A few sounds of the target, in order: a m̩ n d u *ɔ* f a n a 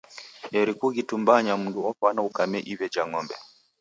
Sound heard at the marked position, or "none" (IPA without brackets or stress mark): ɔ